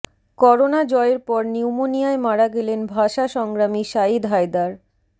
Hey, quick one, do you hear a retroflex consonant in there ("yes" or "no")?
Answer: no